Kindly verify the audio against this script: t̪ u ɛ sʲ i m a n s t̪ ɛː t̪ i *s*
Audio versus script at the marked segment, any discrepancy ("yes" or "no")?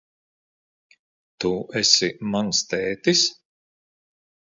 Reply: no